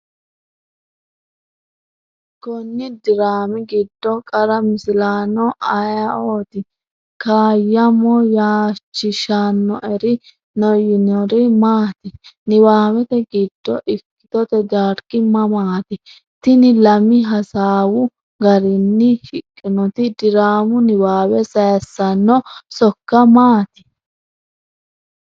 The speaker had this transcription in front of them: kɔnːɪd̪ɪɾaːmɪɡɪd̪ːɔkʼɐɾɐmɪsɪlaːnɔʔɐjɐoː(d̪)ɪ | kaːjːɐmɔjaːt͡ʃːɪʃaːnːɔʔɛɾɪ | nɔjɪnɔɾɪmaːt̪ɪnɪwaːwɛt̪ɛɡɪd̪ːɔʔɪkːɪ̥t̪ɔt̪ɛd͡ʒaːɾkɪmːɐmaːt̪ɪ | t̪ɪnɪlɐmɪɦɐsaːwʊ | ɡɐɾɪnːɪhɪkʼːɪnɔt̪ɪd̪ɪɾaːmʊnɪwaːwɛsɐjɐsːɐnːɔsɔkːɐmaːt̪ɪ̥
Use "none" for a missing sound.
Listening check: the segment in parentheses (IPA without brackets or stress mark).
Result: t̪